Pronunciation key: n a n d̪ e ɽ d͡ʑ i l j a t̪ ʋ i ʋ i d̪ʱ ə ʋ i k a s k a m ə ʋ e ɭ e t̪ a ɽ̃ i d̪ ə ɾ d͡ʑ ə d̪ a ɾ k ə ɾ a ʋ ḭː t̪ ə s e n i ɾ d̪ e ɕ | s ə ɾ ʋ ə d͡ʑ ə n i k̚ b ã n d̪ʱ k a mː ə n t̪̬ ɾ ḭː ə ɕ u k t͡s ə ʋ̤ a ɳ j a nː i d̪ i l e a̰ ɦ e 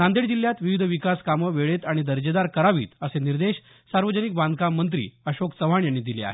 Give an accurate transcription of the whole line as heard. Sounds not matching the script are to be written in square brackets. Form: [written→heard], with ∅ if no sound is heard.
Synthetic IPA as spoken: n a n d̪ e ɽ d͡ʑ i l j a t̪ ʋ i ʋ i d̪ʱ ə ʋ i k a s k a m ə ʋ e ɭ e t̪ a ɽ̃ i d̪ ə ɾ d͡ʑ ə d̪ a ɾ k ə ɾ a ʋ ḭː t̪ ə s e n i ɾ d̪ e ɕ | s [ə→a] ɾ ʋ ə d͡ʑ ə n i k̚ b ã n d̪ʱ k a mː ə n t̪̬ ɾ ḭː ə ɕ [u→o] k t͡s ə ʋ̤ a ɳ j a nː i d̪ i l e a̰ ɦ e

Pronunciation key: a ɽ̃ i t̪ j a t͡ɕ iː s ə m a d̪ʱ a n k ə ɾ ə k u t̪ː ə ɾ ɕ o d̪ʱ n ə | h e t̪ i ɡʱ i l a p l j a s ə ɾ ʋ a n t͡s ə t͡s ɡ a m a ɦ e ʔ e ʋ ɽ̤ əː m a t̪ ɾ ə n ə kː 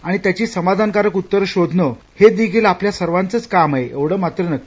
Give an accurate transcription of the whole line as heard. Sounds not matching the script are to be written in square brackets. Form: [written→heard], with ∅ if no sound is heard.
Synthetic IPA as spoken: a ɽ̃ i t̪ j a t͡ɕ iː s ə m a d̪ʱ a n k [ə→a] ɾ ə k u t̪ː ə ɾ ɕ o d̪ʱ n ə | h e [t̪→d̪] i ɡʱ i l a p l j a s ə ɾ ʋ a n t͡s ə t͡s [ɡ→k] a m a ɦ e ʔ e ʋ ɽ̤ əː m a t̪ ɾ ə n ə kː

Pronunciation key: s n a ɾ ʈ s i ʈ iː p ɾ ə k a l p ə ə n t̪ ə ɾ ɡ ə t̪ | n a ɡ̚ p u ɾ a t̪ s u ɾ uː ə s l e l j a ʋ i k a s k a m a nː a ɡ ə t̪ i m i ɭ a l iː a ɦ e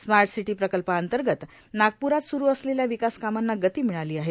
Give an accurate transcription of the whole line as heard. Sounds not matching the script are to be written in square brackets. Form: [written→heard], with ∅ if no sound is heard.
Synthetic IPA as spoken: s [n→m] a ɾ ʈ s i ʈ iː p ɾ ə k [a→ə] l p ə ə n t̪ ə ɾ ɡ ə t̪ | n a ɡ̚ p u ɾ a t̪ s u ɾ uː ə s l e l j a ʋ i k a s k a m a nː a ɡ ə t̪ [i→iː] m i ɭ a l iː a ɦ e

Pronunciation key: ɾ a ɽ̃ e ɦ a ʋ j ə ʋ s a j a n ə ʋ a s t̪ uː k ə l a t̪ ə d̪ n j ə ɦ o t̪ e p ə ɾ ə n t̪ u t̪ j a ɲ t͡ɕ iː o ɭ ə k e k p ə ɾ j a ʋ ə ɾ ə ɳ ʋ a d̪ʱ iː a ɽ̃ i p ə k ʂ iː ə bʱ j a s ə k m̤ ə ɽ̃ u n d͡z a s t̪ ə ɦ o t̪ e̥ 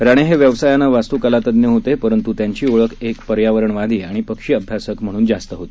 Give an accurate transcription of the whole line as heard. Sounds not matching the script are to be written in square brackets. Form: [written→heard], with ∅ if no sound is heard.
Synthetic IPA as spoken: ɾ a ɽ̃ e ɦ [a→e] ʋ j ə ʋ s a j a n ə ʋ a s t̪ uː k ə l a t̪ ə d̪ n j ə ɦ o t̪ e p ə ɾ ə n t̪ u t̪ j a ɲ t͡ɕ iː o ɭ ə k e k p ə ɾ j a ʋ ə ɾ ə ɳ ʋ a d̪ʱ iː a ɽ̃ i p ə k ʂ iː ə bʱ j a s ə k m̤ ə ɽ̃ [u→uː] n d͡z a s t̪ ə ɦ o t̪ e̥

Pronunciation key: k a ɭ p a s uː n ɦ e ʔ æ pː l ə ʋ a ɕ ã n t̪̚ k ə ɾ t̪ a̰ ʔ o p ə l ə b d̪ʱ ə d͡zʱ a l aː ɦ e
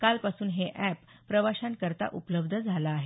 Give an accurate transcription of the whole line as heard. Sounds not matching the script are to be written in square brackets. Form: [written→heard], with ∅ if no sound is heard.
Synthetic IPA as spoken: k a [ɭ→l] p a s uː n ɦ e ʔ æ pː [l→ɾ] ə ʋ a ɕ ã n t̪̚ k ə ɾ t̪ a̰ ʔ [o→u] p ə l ə b d̪ʱ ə d͡zʱ a l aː ɦ e

